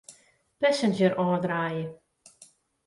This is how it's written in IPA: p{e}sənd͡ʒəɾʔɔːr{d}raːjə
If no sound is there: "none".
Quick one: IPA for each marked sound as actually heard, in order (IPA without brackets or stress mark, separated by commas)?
ɛ, d